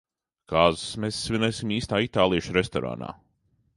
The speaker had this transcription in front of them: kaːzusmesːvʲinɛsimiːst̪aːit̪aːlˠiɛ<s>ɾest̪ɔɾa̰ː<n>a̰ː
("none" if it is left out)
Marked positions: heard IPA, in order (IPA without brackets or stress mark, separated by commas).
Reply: ʃ, n